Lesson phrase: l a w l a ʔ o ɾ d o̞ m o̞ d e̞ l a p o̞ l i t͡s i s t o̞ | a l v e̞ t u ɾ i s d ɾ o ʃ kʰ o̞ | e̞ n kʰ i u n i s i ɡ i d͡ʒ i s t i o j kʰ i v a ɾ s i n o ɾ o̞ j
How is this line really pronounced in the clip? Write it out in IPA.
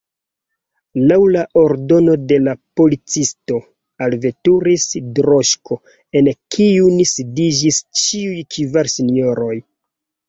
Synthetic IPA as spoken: l a w l a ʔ o ɾ d o̞ n o̞ d e̞ l a p o̞ l i t͡s i s t o̞ | a l v e̞ t u ɾ i s d ɾ o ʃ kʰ o̞ | e̞ n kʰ i u n i s i d i d͡ʒ i s t͡ʃ i u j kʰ i v a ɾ s i n o ɾ o̞ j